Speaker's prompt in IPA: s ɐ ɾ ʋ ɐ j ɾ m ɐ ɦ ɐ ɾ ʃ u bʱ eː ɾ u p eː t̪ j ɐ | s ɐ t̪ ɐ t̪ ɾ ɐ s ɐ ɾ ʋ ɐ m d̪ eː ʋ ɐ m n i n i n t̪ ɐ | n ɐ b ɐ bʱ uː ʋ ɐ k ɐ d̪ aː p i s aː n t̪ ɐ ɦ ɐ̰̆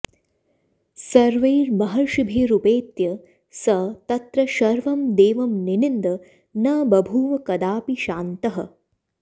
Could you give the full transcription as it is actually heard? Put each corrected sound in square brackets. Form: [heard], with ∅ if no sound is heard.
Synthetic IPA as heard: s ɐ ɾ ʋ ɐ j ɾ m ɐ ɦ ɐ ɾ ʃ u bʱ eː ɾ u p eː t̪ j ɐ | s ɐ t̪ ɐ t̪ ɾ ɐ [ʃ] ɐ ɾ ʋ ɐ m d̪ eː ʋ ɐ m n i n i n [d̪] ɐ | n ɐ b ɐ bʱ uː ʋ ɐ k ɐ d̪ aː p i [ʃ] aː n t̪ ɐ ɦ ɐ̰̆